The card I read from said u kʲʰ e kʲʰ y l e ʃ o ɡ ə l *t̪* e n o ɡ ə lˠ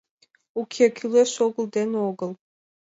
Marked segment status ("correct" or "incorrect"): incorrect